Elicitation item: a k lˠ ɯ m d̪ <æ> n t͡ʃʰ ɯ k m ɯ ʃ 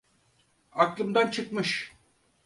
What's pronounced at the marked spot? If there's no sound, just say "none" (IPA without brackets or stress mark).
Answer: a